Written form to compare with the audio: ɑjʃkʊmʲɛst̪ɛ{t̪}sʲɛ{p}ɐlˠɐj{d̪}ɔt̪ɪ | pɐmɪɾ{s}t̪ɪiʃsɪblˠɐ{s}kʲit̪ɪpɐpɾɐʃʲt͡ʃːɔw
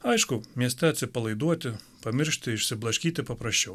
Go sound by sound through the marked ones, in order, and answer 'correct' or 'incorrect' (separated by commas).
correct, correct, correct, incorrect, incorrect